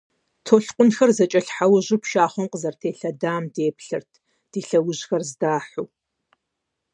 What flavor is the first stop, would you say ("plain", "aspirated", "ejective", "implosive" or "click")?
aspirated